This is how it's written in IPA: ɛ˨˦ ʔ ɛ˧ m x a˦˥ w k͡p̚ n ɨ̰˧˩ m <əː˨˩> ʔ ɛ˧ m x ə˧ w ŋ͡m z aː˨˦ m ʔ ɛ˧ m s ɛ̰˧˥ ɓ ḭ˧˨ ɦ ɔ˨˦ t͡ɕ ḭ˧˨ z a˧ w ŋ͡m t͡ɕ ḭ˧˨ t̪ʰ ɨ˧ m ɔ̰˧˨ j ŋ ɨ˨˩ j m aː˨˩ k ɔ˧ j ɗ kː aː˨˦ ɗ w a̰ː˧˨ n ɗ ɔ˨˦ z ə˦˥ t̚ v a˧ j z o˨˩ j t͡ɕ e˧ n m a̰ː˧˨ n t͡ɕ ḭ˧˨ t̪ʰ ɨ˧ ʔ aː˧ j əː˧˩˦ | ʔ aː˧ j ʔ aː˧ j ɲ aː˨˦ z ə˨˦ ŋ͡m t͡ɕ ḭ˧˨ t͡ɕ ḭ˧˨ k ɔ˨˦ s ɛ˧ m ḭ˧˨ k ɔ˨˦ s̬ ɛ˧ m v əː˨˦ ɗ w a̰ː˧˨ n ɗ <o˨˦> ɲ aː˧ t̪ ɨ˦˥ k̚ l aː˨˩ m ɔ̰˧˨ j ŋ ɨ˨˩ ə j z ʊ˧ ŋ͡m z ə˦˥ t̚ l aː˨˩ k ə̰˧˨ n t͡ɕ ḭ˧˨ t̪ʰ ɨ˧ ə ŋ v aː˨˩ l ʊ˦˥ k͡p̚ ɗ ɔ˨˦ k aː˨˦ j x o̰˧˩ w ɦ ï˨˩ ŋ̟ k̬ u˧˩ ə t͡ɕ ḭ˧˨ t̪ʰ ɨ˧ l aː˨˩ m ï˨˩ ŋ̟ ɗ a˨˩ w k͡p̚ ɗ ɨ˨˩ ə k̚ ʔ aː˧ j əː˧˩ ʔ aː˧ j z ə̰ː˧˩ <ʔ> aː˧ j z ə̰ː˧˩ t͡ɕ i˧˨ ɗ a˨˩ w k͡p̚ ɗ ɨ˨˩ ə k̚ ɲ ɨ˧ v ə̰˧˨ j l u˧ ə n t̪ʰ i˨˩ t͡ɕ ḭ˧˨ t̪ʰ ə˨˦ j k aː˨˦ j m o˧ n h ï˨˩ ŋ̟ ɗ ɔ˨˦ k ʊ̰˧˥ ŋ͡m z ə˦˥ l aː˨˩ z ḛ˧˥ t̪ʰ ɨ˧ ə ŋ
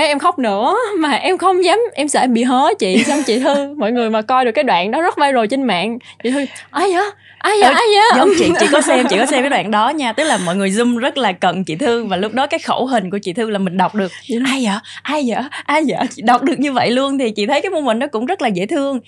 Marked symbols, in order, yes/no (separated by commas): no, no, yes